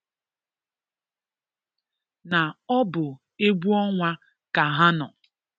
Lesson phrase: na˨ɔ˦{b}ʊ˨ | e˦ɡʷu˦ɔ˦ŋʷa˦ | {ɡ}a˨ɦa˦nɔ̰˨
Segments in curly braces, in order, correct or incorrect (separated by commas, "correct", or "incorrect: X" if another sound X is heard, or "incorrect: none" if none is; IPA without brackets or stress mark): correct, incorrect: k